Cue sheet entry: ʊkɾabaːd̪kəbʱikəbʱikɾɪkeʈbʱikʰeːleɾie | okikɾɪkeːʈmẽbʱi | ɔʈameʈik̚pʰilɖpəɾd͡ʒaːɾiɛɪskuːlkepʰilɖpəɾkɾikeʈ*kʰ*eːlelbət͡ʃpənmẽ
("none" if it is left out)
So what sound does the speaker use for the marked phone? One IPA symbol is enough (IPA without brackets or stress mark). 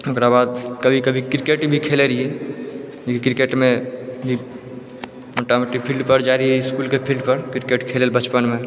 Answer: kʰ